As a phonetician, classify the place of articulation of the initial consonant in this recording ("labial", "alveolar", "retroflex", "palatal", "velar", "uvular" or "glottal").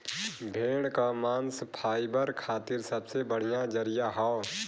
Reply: labial